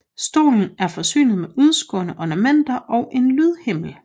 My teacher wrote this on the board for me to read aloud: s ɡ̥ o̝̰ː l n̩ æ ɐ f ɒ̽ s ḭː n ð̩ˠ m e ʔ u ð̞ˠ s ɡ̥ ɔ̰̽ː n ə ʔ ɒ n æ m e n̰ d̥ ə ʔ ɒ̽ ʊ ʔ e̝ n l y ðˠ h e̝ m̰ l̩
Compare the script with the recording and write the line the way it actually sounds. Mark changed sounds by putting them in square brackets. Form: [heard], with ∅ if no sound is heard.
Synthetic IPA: s [d̥] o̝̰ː l n̩ æ ɐ f ɒ̽ s [y̰ː] n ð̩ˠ m e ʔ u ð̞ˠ s ɡ̥ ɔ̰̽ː n ə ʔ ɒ n æ m e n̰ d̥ [ɐ] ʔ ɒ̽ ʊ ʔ e̝ n l y ðˠ h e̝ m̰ l̩